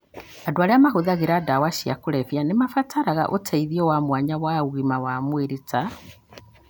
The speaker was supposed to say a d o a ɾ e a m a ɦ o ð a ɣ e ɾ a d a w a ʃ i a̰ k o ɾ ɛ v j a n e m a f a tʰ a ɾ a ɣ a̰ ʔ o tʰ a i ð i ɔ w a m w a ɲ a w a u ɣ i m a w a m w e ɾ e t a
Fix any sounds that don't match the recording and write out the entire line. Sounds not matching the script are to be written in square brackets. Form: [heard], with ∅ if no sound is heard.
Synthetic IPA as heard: a d o a ɾ e a m a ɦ o ð a ɣ e ɾ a d a w a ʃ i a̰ k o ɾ ɛ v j a n e m a f a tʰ a ɾ a ɣ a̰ ʔ o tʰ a i ð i ɔ w a m w a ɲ a w a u ɣ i m a w a m w e ɾ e t a